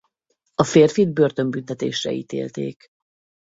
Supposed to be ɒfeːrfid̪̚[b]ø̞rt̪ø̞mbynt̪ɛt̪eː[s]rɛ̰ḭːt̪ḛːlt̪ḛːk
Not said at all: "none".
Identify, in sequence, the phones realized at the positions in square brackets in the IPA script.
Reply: b, ʃ

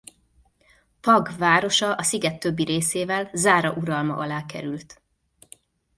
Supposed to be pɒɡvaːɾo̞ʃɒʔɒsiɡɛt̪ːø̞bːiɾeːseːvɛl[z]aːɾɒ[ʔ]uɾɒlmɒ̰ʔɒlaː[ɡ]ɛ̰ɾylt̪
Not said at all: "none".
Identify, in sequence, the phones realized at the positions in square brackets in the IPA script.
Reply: z, ʔ, k

